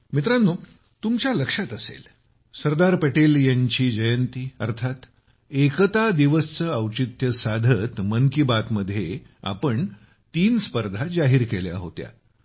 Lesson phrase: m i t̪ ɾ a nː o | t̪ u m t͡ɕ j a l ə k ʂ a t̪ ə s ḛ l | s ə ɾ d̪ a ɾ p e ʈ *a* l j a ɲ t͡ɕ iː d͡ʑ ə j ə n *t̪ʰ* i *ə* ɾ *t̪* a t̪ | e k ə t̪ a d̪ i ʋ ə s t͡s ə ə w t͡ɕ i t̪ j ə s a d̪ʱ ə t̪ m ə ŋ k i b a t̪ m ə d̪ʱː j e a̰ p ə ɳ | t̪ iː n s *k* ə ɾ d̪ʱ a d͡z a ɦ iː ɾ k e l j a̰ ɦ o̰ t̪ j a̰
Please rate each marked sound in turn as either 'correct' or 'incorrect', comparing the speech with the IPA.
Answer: incorrect, incorrect, correct, incorrect, incorrect

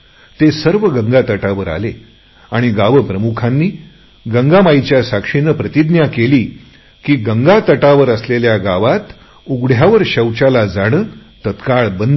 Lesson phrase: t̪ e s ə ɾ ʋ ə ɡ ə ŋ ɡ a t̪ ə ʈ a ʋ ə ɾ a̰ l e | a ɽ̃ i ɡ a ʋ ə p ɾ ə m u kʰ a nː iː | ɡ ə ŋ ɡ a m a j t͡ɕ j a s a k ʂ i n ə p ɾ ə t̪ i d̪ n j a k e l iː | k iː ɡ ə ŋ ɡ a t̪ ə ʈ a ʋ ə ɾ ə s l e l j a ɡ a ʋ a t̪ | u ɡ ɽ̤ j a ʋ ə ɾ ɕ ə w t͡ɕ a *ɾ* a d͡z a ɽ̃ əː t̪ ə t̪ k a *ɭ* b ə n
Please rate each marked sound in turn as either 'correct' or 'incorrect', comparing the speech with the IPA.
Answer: incorrect, correct

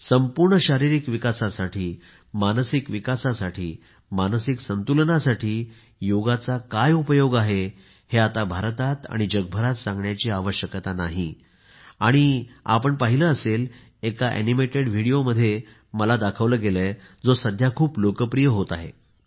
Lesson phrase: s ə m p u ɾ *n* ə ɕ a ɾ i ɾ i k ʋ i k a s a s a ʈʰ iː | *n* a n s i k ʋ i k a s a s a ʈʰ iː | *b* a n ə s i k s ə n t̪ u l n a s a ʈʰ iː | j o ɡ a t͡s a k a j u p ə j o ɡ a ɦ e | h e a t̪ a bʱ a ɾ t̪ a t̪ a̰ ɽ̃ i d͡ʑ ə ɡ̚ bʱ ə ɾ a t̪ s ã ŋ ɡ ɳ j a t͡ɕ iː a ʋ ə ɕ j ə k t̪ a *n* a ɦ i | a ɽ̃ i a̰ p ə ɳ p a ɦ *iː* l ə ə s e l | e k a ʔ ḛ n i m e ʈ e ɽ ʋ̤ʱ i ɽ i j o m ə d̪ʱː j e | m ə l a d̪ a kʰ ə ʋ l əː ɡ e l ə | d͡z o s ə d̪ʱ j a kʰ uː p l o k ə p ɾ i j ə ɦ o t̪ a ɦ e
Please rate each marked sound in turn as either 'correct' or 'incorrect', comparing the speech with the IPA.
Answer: incorrect, incorrect, incorrect, correct, incorrect

